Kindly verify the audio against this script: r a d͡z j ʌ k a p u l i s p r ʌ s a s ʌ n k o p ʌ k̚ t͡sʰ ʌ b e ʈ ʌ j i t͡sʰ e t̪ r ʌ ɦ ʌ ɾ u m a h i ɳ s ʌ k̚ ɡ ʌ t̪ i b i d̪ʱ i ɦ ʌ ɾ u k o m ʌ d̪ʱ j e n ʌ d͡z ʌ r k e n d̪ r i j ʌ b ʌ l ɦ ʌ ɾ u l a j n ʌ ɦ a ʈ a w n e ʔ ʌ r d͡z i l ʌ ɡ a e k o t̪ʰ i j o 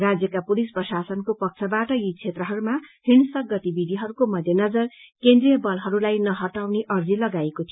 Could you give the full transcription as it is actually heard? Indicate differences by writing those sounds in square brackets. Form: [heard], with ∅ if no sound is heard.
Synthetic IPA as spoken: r a d͡z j ʌ k a p u l i s p r ʌ s a s ʌ n k o p ʌ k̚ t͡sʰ ʌ b [a] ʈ ʌ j i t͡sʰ e t̪ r ʌ ɦ ʌ ɾ u m a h i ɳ s ʌ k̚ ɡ ʌ t̪ i b i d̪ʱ i ɦ ʌ ɾ u k o m ʌ d̪ʱ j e n ʌ d͡z ʌ r k e n d̪ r i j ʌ b ʌ l ɦ ʌ ɾ u l a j n ʌ ɦ [ʌ] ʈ a w n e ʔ ʌ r d͡z i l ʌ ɡ a e k o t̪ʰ i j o